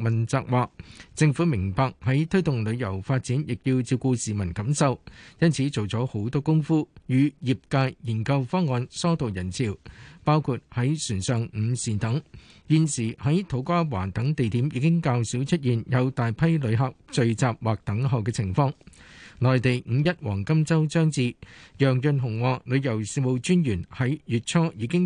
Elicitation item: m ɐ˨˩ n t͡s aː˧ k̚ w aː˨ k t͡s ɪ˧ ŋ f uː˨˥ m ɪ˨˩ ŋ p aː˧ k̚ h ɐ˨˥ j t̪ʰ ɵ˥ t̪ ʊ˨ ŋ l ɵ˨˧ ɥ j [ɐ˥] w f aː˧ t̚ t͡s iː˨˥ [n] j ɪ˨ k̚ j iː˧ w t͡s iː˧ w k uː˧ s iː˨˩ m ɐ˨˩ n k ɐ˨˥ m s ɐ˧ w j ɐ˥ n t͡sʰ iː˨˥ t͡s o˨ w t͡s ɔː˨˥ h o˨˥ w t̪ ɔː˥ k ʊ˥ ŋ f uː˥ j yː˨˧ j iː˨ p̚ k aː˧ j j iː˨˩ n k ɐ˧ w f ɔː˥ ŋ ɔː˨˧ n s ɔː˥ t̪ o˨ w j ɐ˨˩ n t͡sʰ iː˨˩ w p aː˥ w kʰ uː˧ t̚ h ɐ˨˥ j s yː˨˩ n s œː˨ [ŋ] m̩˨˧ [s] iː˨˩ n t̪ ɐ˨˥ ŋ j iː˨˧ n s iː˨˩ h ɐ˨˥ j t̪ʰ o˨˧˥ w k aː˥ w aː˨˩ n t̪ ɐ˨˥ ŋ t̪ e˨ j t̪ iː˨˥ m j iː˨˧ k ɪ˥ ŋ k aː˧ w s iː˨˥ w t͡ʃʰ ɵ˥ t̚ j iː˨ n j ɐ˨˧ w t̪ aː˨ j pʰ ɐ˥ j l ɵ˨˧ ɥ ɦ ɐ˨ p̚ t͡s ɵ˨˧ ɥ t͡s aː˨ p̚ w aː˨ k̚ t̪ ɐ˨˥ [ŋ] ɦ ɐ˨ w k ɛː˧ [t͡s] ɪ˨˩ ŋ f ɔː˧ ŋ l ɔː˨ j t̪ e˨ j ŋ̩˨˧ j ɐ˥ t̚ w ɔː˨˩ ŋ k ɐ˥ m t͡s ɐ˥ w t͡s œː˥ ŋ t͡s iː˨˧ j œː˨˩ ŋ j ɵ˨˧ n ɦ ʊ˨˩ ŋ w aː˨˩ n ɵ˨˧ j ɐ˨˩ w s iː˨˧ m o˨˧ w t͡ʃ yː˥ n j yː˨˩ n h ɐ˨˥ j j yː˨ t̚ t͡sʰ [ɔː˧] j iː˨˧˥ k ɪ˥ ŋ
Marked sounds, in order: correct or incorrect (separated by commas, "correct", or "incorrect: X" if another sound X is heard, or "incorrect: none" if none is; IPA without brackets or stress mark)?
incorrect: ɐ˨˩, correct, correct, correct, correct, incorrect: t͡sʰ, incorrect: ɔː˥